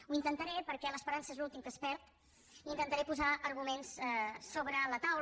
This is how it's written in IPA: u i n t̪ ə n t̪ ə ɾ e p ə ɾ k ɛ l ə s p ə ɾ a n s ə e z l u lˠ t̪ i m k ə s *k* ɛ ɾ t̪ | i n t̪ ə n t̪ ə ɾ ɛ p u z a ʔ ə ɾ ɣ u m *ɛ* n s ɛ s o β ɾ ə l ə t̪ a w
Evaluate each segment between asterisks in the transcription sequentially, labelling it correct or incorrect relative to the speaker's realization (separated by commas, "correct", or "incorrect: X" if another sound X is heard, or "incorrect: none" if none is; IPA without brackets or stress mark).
incorrect: p, incorrect: e